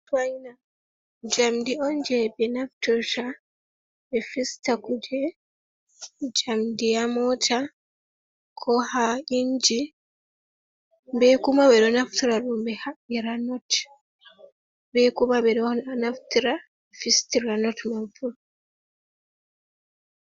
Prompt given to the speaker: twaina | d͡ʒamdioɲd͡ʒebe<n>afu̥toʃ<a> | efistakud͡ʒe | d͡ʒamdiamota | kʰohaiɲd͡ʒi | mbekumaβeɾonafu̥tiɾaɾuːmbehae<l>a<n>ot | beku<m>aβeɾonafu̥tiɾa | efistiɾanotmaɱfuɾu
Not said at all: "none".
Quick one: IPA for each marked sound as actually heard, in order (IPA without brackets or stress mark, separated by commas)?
n, a, ɾ, n, m